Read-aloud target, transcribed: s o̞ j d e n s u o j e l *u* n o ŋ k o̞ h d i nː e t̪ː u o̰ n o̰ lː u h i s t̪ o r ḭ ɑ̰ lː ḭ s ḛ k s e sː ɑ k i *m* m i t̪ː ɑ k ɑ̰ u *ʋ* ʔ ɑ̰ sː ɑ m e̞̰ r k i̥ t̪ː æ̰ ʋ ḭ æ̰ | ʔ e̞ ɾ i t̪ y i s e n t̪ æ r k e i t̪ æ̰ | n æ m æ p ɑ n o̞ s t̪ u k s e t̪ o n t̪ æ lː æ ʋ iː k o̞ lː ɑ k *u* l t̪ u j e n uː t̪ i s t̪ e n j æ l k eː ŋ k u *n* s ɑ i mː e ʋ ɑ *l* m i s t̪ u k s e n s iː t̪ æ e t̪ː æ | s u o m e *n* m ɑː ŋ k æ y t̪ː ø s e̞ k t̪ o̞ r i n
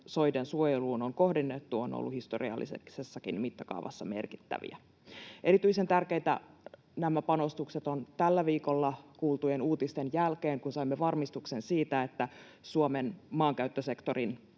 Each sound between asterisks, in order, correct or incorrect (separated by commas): incorrect, incorrect, correct, incorrect, correct, incorrect, correct